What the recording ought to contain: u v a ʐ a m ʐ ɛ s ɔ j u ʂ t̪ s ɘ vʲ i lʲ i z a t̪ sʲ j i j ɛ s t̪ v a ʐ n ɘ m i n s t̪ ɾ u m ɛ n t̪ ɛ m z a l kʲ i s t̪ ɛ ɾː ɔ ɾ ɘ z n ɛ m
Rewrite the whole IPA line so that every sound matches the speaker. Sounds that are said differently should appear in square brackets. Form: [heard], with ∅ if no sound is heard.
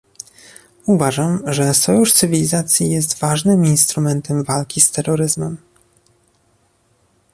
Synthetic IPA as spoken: u v a ʐ a m ʐ ɛ s ɔ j u ʂ t̪ s ɘ vʲ i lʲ i z a t̪ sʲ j i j ɛ s t̪ v a ʐ n ɘ m i n s t̪ ɾ u m ɛ n t̪ ɛ m [v] a l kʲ i s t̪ ɛ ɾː ɔ ɾ ɘ z [m] ɛ m